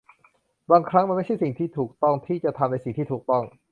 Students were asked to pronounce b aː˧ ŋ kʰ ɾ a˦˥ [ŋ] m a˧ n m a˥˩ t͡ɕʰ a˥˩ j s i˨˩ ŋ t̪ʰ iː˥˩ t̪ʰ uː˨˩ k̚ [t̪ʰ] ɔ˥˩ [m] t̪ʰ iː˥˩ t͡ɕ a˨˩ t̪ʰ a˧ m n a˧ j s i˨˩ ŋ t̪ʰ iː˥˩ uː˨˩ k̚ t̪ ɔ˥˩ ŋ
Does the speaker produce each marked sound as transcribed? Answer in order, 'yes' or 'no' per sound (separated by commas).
yes, no, no